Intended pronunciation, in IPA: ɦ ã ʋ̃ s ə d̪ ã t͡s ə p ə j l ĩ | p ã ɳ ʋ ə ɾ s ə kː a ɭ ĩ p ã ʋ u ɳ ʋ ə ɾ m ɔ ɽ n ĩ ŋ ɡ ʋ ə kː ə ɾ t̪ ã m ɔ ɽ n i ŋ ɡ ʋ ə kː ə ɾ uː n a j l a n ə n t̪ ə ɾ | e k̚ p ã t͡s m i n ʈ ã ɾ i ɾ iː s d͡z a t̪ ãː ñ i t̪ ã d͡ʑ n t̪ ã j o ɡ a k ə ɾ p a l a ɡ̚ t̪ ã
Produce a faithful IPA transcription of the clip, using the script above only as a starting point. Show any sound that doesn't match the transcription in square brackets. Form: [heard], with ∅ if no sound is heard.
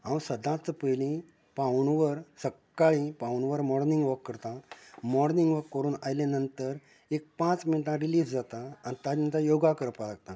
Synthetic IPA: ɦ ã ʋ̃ s ə d̪ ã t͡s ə p ə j l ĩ | p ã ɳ ʋ ə ɾ s ə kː a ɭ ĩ p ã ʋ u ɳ ʋ ə ɾ m ɔ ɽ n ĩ ŋ ɡ ʋ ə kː ə ɾ t̪ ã m ɔ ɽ n i ŋ ɡ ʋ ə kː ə ɾ uː n a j l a n ə n t̪ ə ɾ | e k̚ p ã t͡s m i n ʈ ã ɾ i [l] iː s d͡z a t̪ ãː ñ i t̪ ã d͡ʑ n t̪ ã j o ɡ a k ə ɾ p a l a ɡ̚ t̪ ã